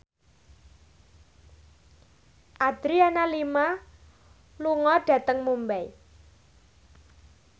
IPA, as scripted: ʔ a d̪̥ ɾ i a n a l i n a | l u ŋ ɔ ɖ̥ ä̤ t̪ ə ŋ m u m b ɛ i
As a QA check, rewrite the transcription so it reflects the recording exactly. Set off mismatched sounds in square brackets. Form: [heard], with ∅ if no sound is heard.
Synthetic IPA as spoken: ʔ a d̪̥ ɾ i a n a l i [m] a | l u ŋ ɔ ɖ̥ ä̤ t̪ ə ŋ m u m b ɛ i